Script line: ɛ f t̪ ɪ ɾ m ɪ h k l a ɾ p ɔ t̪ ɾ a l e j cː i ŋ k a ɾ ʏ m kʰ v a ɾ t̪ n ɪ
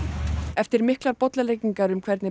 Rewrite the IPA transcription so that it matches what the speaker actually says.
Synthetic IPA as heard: ɛ f t̪ ɪ ɾ m ɪ h k l a ɾ p ɔ t̪ l a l e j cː i ŋ k a ɾ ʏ m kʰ v ɛ ɾ t̪ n ɪ